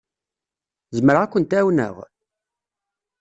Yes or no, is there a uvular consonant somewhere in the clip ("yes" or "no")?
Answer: yes